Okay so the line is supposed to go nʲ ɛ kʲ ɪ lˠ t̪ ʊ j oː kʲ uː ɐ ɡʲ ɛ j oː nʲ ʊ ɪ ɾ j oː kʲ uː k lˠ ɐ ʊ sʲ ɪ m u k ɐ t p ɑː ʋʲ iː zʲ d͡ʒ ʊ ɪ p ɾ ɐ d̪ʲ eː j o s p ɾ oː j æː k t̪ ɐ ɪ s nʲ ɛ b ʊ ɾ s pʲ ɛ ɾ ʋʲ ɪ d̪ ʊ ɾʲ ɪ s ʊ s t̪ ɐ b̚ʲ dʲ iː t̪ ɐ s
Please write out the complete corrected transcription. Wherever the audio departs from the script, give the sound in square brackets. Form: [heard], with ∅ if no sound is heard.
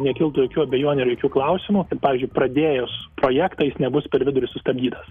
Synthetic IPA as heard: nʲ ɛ kʲ ɪ lˠ t̪ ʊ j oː kʲ uː ɐ [bʲ] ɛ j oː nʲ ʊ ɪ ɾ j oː kʲ uː k lˠ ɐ ʊ sʲ ɪ m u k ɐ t p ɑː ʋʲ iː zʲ d͡ʒ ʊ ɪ p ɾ ɐ d̪ʲ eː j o s p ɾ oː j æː k t̪ ɐ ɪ s nʲ ɛ b ʊ [∅] s pʲ ɛ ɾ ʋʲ ɪ d̪ ʊ ɾʲ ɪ s ʊ s t̪ ɐ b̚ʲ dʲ iː t̪ ɐ s